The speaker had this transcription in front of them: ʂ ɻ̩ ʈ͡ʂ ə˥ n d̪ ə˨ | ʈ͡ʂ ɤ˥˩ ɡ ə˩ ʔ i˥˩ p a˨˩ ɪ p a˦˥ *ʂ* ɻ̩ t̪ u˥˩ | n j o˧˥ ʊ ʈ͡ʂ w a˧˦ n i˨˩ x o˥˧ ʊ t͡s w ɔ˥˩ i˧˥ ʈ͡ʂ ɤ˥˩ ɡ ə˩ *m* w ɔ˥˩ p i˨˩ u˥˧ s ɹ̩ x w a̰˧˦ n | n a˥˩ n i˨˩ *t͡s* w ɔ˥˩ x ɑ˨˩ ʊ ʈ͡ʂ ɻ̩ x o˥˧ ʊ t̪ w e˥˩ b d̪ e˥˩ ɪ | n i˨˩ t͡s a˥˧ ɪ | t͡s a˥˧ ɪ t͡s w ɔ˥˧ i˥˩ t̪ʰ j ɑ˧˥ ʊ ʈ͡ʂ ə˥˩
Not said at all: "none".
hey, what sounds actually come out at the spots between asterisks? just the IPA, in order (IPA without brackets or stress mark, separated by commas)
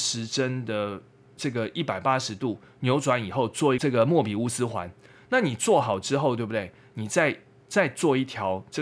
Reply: ʂ, m, t͡s